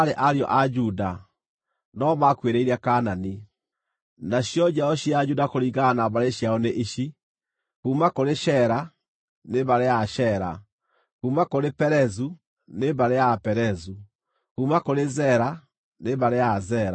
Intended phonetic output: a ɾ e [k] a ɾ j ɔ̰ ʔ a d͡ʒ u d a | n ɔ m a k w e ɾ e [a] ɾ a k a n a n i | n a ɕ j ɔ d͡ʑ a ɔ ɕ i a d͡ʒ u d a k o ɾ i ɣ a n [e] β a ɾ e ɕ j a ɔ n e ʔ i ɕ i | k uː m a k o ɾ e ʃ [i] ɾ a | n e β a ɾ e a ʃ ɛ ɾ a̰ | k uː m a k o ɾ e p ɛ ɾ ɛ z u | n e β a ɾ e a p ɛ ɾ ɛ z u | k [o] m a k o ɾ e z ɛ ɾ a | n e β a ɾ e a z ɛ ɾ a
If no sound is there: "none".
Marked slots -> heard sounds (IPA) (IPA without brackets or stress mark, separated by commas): ʔ, i, a, ɛ, u